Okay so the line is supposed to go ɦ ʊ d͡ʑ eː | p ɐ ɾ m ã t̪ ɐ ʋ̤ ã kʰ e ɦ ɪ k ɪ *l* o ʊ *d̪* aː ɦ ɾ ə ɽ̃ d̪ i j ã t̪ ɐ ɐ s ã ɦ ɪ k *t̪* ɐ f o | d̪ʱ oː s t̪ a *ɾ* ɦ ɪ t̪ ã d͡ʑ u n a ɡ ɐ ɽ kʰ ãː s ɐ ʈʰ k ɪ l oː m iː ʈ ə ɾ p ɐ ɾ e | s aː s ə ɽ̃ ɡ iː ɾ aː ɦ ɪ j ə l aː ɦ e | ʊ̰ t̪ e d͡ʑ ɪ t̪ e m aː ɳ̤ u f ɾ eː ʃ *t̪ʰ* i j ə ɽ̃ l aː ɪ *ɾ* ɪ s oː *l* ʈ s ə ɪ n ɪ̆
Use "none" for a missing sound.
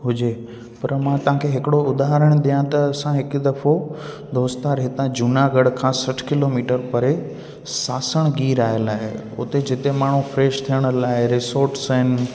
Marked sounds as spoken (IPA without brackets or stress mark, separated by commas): ɽ, d̪, d̪, ɾ, t̪ʰ, ɾ, ɾ